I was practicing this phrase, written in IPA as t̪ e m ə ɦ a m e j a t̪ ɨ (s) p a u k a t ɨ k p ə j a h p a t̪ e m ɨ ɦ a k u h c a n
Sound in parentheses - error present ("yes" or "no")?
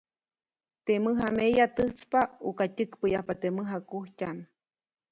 yes